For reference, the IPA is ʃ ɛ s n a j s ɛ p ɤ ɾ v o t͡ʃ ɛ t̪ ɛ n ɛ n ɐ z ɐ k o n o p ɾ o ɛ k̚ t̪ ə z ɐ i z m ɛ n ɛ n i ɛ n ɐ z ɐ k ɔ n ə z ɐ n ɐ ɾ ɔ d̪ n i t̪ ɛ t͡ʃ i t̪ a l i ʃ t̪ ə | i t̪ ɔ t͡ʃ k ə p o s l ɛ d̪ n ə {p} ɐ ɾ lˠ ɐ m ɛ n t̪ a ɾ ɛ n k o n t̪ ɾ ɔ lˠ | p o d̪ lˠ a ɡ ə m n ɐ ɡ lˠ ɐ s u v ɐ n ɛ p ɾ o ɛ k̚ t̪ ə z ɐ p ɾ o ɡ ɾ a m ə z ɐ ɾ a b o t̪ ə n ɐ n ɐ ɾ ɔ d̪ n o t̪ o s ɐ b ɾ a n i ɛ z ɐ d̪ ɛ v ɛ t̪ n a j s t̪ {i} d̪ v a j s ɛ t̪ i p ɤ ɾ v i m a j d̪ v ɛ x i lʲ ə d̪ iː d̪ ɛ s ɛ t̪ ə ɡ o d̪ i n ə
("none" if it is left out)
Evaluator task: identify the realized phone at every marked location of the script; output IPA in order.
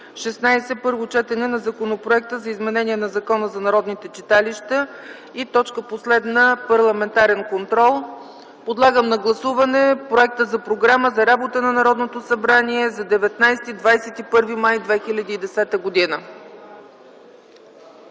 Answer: p, i

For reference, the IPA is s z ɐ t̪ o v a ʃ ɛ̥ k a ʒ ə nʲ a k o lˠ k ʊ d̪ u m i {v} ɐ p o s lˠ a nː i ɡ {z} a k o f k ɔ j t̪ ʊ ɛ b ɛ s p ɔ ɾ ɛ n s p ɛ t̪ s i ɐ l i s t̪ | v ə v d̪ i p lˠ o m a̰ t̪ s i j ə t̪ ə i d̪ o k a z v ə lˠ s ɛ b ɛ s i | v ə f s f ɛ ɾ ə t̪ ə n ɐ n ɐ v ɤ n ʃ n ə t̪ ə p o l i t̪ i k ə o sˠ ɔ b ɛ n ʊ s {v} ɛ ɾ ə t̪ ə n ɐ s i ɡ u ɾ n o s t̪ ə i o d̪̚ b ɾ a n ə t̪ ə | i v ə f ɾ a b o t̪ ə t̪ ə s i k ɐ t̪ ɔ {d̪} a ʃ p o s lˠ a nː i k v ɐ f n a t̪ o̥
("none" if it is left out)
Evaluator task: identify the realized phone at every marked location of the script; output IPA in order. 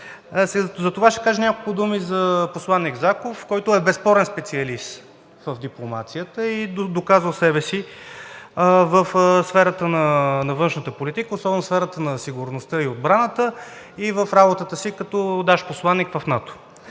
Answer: z, z, f, d̪

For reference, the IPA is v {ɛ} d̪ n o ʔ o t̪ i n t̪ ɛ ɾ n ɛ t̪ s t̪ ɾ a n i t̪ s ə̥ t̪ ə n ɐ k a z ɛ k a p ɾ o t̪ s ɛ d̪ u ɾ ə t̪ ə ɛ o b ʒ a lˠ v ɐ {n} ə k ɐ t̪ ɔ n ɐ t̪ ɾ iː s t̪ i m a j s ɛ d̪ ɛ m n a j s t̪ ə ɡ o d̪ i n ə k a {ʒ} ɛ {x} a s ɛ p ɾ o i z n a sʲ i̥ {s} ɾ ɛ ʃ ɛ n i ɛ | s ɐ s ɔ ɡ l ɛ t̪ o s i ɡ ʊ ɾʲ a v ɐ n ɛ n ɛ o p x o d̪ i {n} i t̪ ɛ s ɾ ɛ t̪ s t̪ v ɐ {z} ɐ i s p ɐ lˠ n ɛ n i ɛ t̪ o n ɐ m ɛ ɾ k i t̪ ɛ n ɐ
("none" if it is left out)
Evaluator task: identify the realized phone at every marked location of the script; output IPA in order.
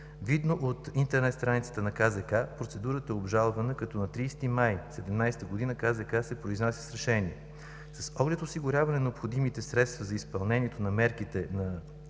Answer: i, n, z, k, s, m, z

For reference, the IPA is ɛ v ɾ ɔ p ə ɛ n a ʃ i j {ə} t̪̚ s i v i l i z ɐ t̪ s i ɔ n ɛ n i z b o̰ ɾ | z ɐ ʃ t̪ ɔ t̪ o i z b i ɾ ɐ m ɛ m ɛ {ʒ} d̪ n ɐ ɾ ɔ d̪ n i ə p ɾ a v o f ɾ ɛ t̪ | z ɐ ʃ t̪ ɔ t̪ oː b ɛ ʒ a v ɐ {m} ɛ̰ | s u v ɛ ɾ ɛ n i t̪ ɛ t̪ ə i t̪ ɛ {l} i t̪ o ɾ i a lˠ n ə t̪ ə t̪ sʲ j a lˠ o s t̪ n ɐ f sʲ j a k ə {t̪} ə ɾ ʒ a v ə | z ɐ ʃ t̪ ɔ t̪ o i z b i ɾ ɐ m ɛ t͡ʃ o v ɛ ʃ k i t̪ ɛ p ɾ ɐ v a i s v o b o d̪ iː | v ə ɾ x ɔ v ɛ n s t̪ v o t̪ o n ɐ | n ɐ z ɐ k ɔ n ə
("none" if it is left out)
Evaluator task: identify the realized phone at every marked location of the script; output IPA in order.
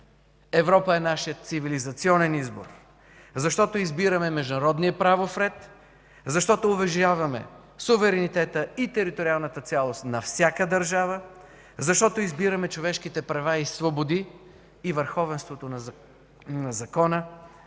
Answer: ə, ʒ, m, ɾ, d̪

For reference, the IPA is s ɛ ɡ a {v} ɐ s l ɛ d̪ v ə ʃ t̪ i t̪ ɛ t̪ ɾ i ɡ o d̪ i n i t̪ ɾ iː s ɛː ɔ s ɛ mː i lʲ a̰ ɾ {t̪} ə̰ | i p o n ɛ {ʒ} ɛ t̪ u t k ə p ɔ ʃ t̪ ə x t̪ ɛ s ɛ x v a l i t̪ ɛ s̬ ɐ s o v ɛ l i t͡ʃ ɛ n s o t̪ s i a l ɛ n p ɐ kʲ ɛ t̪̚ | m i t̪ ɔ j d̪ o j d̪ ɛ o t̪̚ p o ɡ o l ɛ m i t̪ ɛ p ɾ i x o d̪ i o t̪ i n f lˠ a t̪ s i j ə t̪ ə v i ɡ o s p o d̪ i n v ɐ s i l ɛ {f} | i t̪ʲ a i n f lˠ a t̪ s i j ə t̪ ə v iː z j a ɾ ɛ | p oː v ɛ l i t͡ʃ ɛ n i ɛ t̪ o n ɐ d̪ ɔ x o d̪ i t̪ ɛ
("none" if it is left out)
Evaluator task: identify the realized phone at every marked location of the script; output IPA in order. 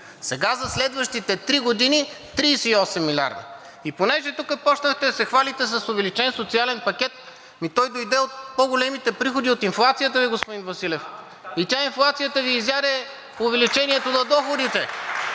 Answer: z, d̪, ʒ, f

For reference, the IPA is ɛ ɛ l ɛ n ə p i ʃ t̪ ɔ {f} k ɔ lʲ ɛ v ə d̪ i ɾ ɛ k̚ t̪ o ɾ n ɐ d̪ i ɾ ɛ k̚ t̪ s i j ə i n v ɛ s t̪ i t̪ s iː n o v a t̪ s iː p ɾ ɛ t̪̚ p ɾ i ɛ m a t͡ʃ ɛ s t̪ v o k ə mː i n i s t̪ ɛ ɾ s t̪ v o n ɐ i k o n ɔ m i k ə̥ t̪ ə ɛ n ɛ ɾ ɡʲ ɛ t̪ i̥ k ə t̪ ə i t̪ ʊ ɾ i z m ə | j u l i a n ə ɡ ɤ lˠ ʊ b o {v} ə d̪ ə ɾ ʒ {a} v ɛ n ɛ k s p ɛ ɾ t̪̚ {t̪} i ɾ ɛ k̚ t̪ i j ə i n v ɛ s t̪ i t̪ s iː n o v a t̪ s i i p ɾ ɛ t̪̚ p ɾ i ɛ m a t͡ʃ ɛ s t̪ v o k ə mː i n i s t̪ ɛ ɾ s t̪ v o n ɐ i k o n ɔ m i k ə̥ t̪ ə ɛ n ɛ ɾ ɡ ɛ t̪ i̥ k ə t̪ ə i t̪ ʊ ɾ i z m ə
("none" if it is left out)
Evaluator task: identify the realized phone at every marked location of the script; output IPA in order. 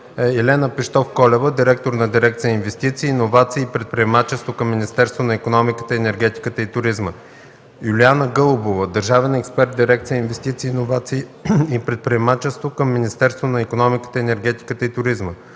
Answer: f, v, a, d̪

